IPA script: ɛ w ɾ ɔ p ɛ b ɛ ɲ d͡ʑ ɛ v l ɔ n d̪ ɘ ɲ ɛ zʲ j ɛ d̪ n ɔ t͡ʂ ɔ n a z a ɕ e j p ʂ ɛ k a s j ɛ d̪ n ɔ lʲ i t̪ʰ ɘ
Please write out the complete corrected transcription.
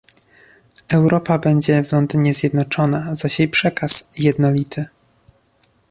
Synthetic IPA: ɛ w ɾ ɔ p a b ɛ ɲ d͡ʑ ɛ v l ɔ n d̪ ɘ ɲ ɛ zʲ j ɛ d̪ n ɔ t͡ʂ ɔ n a z a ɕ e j p ʂ ɛ k a s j ɛ d̪ n ɔ lʲ i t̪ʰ ɘ